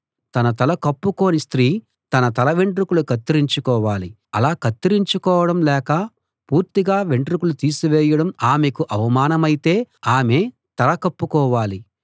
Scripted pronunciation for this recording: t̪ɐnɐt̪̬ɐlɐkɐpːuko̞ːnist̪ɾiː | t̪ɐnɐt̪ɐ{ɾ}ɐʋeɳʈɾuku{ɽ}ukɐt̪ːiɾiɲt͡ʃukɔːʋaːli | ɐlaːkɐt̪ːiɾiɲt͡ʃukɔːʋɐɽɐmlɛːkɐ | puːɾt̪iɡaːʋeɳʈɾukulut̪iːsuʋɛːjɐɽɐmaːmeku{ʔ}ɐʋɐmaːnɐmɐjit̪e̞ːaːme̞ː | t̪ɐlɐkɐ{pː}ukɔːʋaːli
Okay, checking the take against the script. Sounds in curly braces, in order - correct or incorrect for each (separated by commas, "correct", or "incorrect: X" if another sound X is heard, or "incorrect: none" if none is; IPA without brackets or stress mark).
incorrect: l, incorrect: l, correct, correct